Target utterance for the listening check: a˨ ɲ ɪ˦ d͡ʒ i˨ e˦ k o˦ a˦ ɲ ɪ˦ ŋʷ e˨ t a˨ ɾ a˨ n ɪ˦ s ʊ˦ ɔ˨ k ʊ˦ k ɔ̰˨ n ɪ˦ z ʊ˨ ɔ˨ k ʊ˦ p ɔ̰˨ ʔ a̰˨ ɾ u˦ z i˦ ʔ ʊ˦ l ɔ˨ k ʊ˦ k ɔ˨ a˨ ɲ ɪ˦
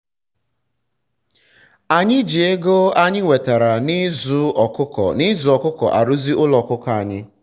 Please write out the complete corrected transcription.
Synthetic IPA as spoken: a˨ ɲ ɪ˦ d͡ʒ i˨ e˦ ɡ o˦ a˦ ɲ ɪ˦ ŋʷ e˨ t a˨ ɾ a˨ n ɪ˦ z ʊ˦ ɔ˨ k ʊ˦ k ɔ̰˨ n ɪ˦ z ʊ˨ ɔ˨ k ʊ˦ k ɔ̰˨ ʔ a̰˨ ɾ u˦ z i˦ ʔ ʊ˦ l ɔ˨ k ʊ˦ k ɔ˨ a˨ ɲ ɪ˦